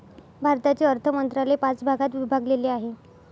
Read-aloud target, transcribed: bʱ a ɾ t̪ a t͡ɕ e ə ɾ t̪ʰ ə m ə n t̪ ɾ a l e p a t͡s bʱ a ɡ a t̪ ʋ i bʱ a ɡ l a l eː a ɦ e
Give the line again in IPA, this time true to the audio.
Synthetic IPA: bʱ a ɾ t̪ a t͡ɕ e ə ɾ t̪ʰ ə m ə n t̪ ɾ a l e p a t͡s bʱ a ɡ a t̪ ʋ i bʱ a ɡ l e l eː a ɦ e